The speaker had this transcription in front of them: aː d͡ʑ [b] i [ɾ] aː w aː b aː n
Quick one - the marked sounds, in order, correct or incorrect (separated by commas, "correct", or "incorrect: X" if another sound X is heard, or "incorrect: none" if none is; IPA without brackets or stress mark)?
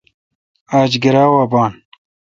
incorrect: ɡ, correct